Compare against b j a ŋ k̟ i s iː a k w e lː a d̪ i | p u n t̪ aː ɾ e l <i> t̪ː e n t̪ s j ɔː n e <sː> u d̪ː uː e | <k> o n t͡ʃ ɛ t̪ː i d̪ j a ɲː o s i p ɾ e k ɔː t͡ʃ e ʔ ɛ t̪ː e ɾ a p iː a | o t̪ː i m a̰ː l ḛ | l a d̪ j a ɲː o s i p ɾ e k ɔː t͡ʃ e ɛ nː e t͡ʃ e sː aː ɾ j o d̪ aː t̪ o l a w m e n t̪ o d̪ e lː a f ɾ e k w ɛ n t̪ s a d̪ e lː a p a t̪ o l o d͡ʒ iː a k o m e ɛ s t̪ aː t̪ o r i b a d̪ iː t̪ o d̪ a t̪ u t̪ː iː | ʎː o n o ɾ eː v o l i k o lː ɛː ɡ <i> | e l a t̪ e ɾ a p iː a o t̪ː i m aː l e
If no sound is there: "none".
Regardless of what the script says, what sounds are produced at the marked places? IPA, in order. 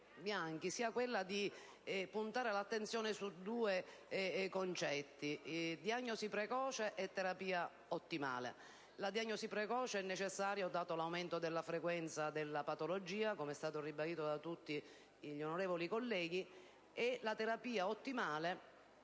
a, s, k, i

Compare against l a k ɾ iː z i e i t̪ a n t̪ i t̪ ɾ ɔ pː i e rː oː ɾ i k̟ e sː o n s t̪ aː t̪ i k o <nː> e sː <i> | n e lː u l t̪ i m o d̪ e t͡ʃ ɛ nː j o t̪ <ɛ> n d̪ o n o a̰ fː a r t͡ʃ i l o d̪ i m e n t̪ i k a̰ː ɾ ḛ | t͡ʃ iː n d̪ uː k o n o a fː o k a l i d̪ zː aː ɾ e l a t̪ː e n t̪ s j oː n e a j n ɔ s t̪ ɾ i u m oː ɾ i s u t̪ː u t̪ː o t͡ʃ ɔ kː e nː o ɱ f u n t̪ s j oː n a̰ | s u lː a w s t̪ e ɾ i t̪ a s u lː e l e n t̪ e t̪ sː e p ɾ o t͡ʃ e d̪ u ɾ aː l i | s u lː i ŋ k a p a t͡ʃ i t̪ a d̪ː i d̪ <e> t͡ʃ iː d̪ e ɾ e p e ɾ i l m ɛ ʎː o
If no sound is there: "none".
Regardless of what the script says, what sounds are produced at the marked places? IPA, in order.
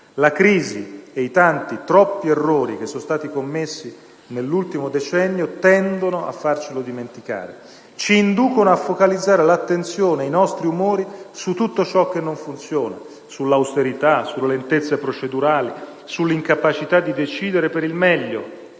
mː, i, ɛ, e

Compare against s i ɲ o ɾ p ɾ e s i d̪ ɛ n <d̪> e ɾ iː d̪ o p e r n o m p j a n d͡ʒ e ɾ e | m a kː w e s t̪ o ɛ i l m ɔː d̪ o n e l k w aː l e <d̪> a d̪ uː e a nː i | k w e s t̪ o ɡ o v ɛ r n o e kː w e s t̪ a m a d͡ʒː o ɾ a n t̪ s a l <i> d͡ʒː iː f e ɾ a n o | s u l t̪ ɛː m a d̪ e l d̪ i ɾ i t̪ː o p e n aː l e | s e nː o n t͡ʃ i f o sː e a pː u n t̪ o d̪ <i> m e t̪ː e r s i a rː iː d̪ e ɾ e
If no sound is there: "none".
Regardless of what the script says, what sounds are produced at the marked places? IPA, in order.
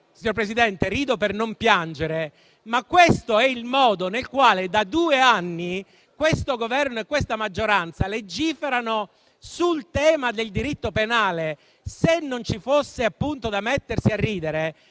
t̪, d̪, e, a

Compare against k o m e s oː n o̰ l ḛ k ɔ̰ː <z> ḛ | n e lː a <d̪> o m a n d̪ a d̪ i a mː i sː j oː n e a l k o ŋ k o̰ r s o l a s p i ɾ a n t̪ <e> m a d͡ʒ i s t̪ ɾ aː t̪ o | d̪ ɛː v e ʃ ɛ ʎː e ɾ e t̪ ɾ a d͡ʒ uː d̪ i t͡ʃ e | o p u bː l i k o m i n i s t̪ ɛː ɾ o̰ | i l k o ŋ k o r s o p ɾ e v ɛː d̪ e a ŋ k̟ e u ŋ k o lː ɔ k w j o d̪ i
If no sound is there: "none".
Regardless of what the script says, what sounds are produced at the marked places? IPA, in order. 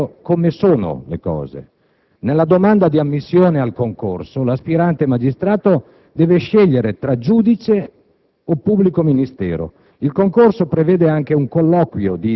z, d̪, e

